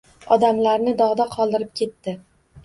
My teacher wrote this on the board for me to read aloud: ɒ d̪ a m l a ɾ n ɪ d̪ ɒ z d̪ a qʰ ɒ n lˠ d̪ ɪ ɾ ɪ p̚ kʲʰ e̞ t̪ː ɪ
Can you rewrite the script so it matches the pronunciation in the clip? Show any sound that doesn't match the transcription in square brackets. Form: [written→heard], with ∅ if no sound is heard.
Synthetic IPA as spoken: ɒ d̪ a m l a ɾ n ɪ d̪ ɒ [z→ʁ] d̪ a qʰ ɒ [n→∅] lˠ d̪ ɪ ɾ ɪ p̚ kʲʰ e̞ t̪ː ɪ